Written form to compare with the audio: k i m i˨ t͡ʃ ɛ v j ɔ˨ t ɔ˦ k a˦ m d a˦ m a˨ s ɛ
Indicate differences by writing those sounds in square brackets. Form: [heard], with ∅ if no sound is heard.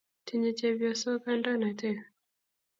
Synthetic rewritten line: [t] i [ɲ] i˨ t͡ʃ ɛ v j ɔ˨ [s] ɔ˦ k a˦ [n] d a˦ [n] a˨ [t] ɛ